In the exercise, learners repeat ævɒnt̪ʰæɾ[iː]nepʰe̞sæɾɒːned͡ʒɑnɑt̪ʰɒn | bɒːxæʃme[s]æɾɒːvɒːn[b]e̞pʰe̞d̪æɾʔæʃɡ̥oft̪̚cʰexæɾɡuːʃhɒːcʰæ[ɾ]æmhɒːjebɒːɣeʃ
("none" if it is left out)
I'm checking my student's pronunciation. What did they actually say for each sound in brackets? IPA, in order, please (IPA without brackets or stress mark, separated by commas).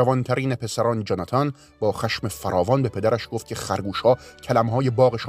iː, f, b, l